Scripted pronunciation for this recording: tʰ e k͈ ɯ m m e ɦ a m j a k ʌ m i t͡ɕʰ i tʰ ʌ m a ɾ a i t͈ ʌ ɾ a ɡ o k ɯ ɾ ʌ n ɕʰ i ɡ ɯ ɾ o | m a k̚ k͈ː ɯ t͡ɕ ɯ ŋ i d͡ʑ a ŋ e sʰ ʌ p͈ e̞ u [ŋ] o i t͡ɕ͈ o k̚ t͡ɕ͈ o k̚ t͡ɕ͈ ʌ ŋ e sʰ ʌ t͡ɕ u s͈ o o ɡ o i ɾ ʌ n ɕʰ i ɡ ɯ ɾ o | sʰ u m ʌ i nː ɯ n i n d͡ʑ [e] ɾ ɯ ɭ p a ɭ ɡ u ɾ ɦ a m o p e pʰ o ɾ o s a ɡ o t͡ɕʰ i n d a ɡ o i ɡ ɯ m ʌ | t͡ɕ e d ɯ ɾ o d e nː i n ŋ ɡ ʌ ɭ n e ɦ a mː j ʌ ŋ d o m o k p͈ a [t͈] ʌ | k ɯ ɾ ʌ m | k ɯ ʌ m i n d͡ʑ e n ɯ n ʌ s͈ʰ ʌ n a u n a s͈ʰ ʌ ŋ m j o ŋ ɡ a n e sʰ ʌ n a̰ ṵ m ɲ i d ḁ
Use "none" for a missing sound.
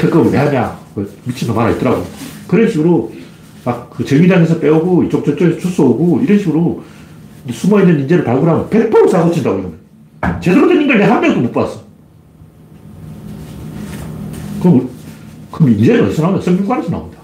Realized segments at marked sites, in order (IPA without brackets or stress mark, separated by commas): ɡ, e, s͈